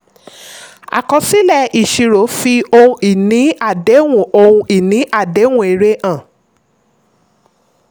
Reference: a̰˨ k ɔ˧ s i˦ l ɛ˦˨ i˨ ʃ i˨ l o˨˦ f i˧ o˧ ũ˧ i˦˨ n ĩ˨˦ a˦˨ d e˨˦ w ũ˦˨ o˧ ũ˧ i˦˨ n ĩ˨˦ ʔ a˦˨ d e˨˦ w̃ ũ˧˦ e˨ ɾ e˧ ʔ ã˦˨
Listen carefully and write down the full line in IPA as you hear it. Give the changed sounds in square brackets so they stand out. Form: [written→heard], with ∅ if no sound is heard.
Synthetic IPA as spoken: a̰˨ k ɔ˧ s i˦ l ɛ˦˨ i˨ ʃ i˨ [l→ɾ] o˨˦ f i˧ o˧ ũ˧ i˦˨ n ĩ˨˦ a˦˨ d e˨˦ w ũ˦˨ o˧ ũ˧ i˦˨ n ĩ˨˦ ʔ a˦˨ d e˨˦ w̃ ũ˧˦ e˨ ɾ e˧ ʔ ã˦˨

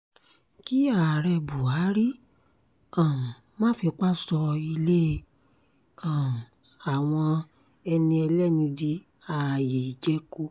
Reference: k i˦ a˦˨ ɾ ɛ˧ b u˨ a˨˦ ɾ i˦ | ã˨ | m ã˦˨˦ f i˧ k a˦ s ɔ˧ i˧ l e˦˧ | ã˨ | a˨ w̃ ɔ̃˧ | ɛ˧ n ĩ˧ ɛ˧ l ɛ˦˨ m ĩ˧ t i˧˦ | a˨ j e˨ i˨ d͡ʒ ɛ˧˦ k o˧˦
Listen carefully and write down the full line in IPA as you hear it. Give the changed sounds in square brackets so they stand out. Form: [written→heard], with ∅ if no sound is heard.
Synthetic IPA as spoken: k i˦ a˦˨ ɾ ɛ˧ b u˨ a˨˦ ɾ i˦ | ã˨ | m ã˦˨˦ f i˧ [k→k͡p] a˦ s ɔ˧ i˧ l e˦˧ | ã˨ | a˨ w̃ ɔ̃˧ | ɛ˧ n ĩ˧ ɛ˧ l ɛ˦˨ [m→n] ĩ˧ [t→d] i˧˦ | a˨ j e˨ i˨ d͡ʒ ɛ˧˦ k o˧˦

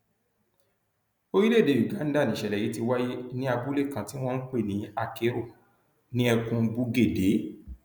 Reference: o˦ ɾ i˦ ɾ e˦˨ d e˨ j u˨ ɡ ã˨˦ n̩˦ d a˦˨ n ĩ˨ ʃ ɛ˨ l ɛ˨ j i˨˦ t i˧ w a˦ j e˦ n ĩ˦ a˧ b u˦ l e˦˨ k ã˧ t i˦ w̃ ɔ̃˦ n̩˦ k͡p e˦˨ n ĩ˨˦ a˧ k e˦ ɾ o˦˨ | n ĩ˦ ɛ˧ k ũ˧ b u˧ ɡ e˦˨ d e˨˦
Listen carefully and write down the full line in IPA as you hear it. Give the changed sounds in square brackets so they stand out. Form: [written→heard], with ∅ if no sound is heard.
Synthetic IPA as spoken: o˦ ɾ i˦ [ɾ→l] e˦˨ d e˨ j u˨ ɡ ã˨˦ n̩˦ d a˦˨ n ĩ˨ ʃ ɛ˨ l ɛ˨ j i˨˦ t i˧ w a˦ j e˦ n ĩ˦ a˧ b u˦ l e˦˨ k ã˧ t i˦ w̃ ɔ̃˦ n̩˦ k͡p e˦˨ n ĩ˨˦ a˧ k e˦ ɾ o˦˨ | n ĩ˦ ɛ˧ k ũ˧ b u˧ ɡ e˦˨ d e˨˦

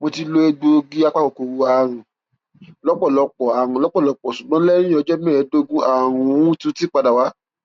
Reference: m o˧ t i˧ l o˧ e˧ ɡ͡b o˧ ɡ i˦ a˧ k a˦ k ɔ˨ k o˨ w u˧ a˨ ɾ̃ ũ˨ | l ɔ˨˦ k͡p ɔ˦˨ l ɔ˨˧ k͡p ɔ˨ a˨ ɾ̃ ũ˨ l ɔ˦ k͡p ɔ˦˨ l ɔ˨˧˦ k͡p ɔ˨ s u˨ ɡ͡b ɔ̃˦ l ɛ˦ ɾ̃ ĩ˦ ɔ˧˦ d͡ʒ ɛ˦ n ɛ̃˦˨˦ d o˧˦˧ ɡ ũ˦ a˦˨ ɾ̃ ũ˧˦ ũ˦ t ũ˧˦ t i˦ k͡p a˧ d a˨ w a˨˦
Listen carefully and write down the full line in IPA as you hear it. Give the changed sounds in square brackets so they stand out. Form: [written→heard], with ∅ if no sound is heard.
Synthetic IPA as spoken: m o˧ t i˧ l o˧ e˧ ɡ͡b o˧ ɡ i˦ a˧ [k→k͡p] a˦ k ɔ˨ k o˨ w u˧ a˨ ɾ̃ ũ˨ | l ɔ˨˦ k͡p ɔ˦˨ l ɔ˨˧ k͡p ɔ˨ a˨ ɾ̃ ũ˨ l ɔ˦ k͡p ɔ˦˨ l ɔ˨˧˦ k͡p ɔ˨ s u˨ ɡ͡b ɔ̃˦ l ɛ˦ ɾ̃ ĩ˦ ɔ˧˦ d͡ʒ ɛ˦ [n→m] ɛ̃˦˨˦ d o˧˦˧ ɡ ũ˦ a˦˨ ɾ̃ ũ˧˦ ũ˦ t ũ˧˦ t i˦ k͡p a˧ d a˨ w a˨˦

